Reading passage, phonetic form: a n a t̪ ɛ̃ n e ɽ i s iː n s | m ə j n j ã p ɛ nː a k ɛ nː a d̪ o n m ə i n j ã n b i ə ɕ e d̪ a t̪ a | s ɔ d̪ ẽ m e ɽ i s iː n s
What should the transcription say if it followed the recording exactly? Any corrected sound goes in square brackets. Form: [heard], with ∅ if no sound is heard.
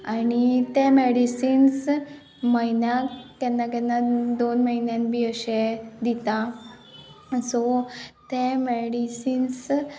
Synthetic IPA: a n [i] t̪ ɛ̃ [m] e ɽ i s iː n s | m ə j n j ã [k] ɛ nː a k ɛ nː a d̪ o n m ə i n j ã n b i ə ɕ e d̪ [i] t̪ a | s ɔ [t̪] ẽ m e ɽ i s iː n s